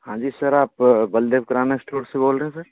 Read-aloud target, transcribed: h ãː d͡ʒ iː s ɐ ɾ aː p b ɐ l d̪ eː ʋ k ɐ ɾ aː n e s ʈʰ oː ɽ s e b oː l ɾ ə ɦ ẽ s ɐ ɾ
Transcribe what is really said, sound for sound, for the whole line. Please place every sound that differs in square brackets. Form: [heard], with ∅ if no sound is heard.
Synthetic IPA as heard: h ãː d͡ʒ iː s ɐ ɾ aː p b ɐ l d̪ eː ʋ k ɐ ɾ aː n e s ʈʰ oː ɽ s e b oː l ɾ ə ɦ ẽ s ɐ ɾ